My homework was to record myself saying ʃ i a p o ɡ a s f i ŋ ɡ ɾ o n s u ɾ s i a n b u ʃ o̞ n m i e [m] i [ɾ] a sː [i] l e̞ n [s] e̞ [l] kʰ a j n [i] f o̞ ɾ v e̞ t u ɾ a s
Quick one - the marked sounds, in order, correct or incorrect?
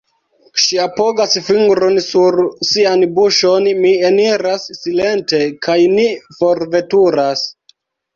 incorrect, correct, correct, incorrect, incorrect, correct

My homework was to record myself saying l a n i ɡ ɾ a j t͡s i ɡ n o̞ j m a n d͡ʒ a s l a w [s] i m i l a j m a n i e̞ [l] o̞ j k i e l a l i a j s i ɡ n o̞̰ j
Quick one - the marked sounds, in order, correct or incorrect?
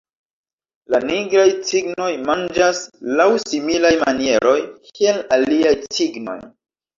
correct, incorrect

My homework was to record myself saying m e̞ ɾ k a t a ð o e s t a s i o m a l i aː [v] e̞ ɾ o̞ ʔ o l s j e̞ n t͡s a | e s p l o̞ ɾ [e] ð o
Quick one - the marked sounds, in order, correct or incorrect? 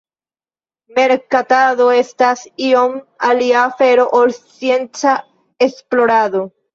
incorrect, incorrect

